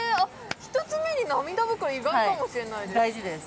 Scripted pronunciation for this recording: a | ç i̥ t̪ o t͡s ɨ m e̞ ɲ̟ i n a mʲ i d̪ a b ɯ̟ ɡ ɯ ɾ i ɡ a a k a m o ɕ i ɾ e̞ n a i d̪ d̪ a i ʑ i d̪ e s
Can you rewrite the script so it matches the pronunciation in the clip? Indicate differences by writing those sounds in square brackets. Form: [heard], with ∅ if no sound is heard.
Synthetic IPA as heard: a | ç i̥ t̪ o t͡s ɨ m e̞ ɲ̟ i n a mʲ i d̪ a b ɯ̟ [k] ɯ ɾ i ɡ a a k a m o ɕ i ɾ e̞ n a i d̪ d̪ a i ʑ i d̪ e s